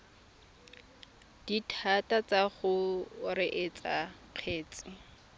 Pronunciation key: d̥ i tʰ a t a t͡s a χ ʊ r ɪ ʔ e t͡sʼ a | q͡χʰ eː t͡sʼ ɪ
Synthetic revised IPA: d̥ i tʰ a t a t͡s a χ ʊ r ɪ ʔ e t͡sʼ a | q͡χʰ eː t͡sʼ ɪ